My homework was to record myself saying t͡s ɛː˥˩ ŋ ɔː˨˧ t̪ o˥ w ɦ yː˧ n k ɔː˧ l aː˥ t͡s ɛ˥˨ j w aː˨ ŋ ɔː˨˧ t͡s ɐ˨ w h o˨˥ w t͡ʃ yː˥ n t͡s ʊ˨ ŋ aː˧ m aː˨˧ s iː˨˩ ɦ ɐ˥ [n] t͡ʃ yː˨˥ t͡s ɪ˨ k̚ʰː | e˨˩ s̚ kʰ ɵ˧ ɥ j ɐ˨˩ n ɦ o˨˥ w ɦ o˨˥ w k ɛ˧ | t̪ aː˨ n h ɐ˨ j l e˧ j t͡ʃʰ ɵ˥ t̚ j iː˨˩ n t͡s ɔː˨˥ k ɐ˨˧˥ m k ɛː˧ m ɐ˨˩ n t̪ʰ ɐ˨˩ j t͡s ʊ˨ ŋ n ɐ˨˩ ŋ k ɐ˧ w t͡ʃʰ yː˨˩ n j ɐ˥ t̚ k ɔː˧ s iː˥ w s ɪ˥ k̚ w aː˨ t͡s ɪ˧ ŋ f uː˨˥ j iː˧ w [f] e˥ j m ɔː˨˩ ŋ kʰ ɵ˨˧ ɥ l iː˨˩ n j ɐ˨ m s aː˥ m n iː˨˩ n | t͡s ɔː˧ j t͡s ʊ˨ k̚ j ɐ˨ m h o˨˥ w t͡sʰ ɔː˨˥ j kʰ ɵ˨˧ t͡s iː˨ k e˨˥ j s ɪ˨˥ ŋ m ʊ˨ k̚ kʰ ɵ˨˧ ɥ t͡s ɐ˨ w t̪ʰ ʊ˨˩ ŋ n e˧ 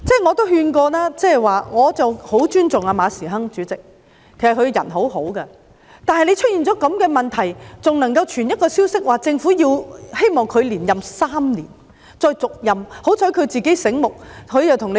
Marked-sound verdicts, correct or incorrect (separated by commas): incorrect, incorrect